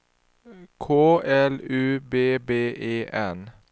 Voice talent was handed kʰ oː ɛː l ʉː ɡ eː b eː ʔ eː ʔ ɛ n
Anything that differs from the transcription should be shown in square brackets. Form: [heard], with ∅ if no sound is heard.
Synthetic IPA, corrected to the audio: kʰ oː [ɛ] l ʉː [b] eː b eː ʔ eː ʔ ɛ n